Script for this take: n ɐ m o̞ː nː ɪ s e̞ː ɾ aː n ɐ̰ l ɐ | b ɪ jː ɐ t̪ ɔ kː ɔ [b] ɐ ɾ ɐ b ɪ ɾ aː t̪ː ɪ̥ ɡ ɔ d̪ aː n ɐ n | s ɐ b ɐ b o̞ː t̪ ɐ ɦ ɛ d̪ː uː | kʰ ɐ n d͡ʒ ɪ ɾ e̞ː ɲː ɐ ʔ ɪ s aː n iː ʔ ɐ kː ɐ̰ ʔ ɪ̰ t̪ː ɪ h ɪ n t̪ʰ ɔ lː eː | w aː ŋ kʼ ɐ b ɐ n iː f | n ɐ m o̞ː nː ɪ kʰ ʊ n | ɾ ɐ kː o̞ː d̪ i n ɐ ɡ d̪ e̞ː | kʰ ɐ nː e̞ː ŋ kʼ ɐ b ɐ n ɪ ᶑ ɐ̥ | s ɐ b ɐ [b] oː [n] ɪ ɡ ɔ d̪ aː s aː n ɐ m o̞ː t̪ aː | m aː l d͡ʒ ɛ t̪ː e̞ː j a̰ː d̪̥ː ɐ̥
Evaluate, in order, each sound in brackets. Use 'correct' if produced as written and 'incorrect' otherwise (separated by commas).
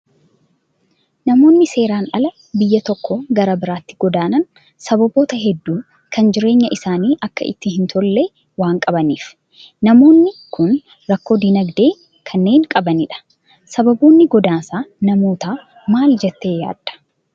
incorrect, correct, incorrect